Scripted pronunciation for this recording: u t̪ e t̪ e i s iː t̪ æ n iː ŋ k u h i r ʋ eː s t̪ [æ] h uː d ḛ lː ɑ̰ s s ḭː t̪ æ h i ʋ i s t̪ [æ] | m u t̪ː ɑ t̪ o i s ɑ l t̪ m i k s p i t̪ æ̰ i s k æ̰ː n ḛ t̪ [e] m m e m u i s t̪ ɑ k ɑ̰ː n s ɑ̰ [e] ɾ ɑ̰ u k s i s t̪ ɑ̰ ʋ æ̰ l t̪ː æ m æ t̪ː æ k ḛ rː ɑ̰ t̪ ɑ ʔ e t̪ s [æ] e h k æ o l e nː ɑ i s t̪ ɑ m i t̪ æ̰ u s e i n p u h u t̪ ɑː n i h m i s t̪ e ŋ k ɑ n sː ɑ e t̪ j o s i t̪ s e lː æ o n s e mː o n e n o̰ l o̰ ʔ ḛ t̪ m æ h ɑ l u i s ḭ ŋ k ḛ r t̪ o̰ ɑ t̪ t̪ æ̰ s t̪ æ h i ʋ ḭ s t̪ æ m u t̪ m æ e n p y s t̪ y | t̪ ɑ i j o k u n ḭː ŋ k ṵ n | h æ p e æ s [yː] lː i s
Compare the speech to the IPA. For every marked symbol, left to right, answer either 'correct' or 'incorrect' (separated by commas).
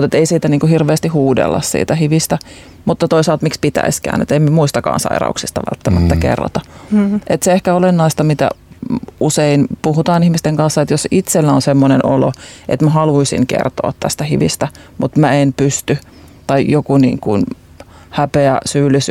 incorrect, correct, correct, incorrect, incorrect, correct